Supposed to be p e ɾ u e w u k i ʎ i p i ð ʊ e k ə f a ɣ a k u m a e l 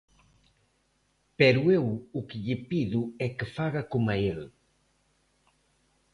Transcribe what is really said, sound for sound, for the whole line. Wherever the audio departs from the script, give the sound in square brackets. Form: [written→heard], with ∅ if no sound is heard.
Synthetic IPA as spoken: p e ɾ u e w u k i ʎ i p i ð [ʊ→u] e k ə f a ɣ a k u m a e l